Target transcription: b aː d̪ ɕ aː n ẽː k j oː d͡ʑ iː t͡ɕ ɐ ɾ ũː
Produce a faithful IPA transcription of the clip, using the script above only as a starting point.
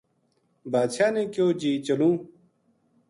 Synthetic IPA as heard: b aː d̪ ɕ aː n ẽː k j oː d͡ʑ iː t͡ɕ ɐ l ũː

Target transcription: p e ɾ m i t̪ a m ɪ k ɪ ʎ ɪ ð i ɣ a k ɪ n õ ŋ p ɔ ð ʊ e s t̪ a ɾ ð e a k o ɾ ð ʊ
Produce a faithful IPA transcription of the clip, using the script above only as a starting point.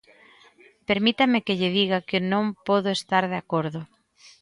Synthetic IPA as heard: p e ɾ m i t̪ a m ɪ k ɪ ʎ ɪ ð i ɣ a k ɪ n õ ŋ p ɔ ð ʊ e s t̪ a ɾ ð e a k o ɾ ð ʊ

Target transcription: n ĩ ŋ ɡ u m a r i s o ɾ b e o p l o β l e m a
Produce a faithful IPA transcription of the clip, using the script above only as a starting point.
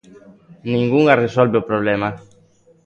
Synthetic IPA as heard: n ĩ ŋ ɡ u ŋ a r e s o l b e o p ɾ o β l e m a

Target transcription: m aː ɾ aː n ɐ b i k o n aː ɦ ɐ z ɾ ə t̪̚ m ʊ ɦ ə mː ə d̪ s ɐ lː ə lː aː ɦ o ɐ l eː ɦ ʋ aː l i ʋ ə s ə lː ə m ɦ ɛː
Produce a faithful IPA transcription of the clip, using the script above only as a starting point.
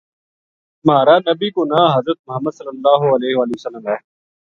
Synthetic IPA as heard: m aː ɾ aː n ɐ b i k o n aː ɦ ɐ z ɾ ə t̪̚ m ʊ ɦ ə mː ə d̪ s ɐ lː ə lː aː ɦ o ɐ l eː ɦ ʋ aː l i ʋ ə s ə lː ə m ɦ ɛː

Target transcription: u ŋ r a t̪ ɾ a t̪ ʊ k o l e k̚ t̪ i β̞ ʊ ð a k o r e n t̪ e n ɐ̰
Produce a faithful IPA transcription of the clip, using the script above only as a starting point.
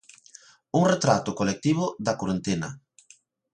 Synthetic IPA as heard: u ŋ r e t̪ ɾ a t̪ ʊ k o l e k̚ t̪ i β̞ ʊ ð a k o ɾ e n t̪ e n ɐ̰

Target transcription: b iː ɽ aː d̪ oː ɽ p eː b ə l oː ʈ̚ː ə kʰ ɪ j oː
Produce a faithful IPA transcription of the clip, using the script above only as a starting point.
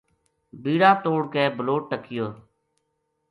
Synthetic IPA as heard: b iː ɽ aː t̪ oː ɽ k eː b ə l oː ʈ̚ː ə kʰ ɪ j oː

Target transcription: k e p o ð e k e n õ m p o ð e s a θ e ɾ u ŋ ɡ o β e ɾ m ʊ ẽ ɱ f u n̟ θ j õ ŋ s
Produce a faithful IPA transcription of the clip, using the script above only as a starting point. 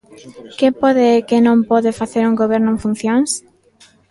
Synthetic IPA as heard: k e p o ð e k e n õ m p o ð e f a θ e ɾ u ŋ ɡ o β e ɾ n ʊ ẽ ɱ f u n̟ θ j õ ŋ s

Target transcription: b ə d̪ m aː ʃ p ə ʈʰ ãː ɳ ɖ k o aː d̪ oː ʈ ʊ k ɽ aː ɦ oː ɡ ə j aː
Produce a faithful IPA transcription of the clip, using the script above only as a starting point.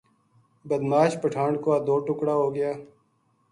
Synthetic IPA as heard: b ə d̪ m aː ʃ p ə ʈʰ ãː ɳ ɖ k o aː d̪ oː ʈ ʊ k ɽ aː ɦ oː ɡ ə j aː

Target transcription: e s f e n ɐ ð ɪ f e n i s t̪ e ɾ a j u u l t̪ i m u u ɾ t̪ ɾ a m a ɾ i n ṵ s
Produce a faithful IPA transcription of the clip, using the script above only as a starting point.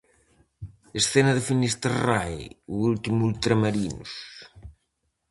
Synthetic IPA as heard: e s θ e n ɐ ð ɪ f i n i s t̪ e r a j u u l t̪ i m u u l t̪ ɾ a m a ɾ i n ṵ s

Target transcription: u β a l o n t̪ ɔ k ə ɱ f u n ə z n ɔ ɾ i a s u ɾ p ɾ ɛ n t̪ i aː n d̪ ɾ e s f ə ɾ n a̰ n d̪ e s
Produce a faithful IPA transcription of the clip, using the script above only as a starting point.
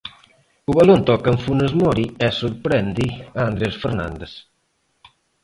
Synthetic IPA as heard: u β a l o n t̪ ɔ k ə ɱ f u n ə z m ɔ ɾ i ɛ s u ɾ p ɾ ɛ n d̪ i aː n d̪ ɾ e s f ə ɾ n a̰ n d̪ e s

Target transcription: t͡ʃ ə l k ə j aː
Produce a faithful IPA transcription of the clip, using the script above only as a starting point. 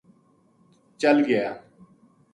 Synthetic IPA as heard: t͡ʃ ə l ɡ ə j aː

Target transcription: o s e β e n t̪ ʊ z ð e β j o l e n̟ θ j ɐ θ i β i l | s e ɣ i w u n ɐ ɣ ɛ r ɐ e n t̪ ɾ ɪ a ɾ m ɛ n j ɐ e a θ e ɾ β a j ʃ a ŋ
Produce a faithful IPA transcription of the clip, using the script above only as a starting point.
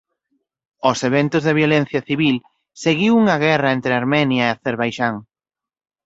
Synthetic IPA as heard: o s e β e n t̪ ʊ z ð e β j o l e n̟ θ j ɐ θ i β i l | s e ɣ i w u ŋ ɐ ɣ ɛ r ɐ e n t̪ ɾ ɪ a ɾ m ɛ n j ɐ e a θ e ɾ β a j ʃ a ŋ

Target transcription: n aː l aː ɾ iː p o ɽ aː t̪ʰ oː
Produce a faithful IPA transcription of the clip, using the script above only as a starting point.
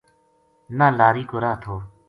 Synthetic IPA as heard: n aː l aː ɾ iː k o ɾ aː t̪ʰ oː

